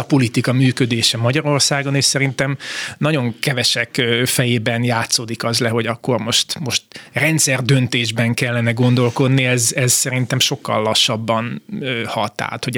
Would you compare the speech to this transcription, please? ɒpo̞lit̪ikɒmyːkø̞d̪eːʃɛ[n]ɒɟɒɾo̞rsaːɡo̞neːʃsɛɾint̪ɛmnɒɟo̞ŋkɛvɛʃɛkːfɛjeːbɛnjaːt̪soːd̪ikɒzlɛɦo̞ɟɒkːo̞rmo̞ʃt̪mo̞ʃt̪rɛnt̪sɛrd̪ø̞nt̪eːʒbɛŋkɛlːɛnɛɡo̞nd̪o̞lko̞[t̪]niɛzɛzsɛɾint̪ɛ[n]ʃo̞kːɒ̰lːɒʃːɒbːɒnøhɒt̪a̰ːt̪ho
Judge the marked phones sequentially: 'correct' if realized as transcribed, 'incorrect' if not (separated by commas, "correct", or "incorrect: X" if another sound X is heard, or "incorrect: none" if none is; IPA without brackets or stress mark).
incorrect: m, incorrect: d̪, incorrect: m